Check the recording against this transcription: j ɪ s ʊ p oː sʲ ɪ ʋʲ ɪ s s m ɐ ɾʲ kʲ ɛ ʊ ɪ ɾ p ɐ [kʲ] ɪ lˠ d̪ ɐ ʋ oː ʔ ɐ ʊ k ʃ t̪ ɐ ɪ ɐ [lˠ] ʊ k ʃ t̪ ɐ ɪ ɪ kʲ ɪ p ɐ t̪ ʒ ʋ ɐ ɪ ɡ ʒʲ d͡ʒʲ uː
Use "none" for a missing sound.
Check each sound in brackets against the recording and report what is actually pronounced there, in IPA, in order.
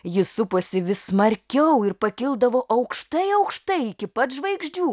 kʲ, none

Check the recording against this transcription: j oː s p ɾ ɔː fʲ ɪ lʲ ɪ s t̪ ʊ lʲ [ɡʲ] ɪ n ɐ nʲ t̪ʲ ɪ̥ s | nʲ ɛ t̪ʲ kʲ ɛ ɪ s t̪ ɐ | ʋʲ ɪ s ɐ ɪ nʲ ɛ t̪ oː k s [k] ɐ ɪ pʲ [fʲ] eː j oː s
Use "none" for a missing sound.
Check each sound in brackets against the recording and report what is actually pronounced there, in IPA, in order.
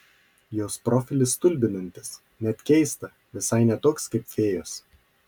bʲ, k, fʲ

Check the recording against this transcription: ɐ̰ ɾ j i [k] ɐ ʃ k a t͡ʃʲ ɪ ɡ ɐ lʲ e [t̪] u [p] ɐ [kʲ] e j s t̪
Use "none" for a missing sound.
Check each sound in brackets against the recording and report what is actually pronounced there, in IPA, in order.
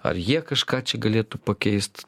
k, t̪, p, kʲ

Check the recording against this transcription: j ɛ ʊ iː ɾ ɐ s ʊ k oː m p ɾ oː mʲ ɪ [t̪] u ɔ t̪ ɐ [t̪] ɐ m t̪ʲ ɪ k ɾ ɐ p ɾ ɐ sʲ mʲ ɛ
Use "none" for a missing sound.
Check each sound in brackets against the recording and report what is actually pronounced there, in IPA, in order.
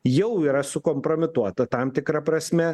t̪, t̪

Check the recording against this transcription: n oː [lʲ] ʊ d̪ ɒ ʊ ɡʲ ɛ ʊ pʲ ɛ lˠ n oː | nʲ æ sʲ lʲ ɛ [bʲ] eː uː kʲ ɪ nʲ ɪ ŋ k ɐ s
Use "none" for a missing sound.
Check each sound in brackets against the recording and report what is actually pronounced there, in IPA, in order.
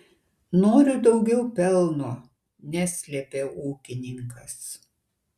ɾʲ, pʲ

